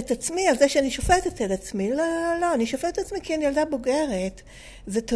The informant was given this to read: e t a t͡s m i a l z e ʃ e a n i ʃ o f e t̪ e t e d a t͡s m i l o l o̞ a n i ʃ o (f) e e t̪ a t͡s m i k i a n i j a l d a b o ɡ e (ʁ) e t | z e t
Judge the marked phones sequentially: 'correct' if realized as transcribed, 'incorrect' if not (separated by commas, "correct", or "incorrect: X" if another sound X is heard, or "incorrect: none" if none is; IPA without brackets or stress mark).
correct, correct